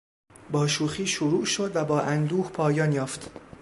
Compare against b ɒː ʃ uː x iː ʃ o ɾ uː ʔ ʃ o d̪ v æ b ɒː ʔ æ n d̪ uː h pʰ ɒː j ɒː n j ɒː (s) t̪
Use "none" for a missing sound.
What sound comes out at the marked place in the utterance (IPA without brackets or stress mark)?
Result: f